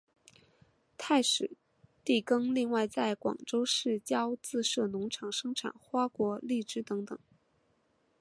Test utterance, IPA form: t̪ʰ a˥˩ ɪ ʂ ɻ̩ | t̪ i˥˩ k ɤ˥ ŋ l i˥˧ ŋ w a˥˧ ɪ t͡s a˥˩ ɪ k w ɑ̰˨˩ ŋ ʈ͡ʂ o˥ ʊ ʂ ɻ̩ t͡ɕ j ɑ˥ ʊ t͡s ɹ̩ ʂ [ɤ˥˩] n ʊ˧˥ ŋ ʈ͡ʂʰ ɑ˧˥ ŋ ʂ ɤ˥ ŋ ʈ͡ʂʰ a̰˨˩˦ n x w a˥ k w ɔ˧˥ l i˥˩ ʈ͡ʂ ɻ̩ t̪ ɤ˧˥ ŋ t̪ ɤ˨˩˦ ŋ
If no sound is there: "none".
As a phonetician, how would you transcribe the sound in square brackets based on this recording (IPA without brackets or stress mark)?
ɤ˥˩